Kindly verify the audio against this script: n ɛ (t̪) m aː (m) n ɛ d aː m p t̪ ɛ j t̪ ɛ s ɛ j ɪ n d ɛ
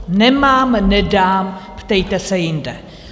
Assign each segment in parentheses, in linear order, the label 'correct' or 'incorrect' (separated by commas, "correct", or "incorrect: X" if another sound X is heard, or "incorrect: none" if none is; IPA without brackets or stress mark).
incorrect: none, correct